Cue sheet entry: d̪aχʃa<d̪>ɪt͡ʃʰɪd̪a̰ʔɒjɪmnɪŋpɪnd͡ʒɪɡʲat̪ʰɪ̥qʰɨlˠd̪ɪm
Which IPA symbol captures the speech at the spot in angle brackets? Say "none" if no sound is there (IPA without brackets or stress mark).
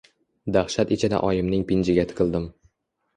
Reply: t̪